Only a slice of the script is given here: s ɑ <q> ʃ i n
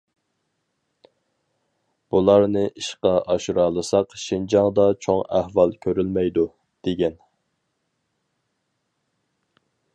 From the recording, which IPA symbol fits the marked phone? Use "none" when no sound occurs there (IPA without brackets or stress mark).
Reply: q